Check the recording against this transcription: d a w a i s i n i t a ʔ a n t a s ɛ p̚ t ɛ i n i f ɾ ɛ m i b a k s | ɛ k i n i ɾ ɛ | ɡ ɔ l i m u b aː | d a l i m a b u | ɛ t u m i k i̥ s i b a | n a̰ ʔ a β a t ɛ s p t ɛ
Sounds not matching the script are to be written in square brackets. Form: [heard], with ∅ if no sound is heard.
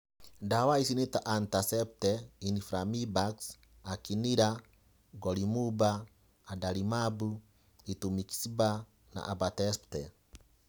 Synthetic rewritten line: d a w a i s i n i t a ʔ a n t a s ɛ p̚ t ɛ i n i f ɾ [a] m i b a k s | [a] k i n i ɾ [a] | ɡ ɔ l i m u b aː | d a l i m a b u | [i] t u m i k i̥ s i b a | n a̰ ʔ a [b] a t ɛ s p t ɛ